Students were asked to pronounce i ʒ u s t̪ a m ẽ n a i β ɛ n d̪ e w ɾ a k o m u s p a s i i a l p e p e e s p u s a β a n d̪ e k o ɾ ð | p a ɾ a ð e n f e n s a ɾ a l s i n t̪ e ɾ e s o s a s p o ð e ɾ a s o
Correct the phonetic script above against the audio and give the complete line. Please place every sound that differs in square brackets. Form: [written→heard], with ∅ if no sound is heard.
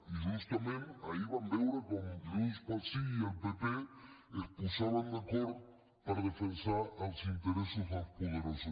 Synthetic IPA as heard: i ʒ u s t̪ a m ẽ n a i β [ɛ→a] n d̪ e w ɾ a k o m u s p a s i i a l p e p e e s p u s a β a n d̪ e k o ɾ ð | p a ɾ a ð e [n→∅] f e n s a ɾ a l s i n t̪ e ɾ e s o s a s p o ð e ɾ a s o